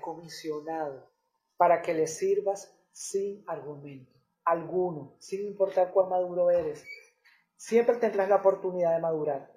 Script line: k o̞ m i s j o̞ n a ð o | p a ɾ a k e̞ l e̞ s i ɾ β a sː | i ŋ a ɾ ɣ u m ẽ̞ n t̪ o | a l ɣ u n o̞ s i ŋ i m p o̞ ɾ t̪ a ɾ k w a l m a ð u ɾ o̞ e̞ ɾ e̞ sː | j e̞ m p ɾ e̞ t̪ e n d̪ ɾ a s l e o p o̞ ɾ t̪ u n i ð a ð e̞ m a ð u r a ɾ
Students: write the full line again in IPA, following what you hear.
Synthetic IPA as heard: k o̞ m i s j o̞ n a ð o | p a ɾ a k e̞ l e̞ s i ɾ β a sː | i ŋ a ɾ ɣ u m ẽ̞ n t̪ o | a l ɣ u n o̞ s i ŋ i m p o̞ ɾ t̪ a ɾ k w a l m a ð u ɾ o̞ e̞ ɾ e̞ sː | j e̞ m p ɾ e̞ t̪ e n d̪ ɾ a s l a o p o̞ ɾ t̪ u n i ð a ð e̞ m a ð u ɾ a ɾ